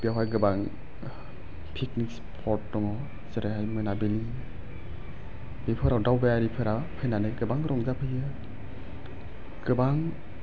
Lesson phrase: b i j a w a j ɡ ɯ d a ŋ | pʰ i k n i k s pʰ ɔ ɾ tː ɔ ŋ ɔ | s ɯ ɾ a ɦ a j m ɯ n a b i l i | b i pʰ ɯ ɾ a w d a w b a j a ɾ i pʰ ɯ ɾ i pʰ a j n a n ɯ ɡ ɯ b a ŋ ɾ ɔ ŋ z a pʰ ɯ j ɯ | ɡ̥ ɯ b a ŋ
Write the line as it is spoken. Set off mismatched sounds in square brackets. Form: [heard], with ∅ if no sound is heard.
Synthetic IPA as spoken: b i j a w a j ɡ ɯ [b] a ŋ | pʰ i k n i k s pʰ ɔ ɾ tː ɔ ŋ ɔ | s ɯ ɾ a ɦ a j m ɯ n a b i l i | b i pʰ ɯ ɾ a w d a w b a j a ɾ i pʰ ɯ ɾ [a] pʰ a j n a n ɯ ɡ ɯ b a ŋ ɾ ɔ ŋ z a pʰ ɯ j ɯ | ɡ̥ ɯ b a ŋ